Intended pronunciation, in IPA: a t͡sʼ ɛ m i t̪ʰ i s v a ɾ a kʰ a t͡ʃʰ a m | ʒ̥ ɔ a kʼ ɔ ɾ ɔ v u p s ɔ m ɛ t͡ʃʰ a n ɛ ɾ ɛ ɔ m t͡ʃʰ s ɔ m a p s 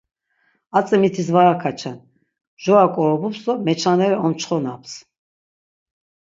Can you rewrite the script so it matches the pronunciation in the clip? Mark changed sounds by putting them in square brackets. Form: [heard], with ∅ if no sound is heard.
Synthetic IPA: a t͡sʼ ɛ m i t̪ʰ i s v a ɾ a kʰ a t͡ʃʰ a [n] | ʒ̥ ɔ a kʼ ɔ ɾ ɔ [b] u p s ɔ m ɛ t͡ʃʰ a n ɛ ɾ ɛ ɔ m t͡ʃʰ [χ] ɔ [n] a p s